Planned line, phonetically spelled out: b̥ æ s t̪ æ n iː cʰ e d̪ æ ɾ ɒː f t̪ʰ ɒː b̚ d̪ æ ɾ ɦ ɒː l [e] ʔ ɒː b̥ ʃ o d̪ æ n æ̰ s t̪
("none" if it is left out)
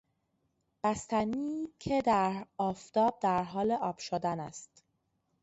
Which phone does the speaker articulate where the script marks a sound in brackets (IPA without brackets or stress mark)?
e